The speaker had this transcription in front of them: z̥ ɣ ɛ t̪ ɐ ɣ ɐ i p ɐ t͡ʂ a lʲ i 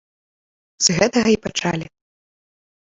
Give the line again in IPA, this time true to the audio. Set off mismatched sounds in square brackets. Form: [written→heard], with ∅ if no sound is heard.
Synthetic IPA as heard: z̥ ɣ ɛ t̪ ɐ ɣ ɐ i p [ɐ→a] t͡ʂ a lʲ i